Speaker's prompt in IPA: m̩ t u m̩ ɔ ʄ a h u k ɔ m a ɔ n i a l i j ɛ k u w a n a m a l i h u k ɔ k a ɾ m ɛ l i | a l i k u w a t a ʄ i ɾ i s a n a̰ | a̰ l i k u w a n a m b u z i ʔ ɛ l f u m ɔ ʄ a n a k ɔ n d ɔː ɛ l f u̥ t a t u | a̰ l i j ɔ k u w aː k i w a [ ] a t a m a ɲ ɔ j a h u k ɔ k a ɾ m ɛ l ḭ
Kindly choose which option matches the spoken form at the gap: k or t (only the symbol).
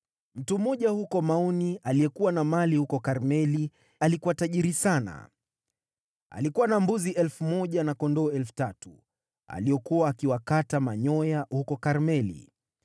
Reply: k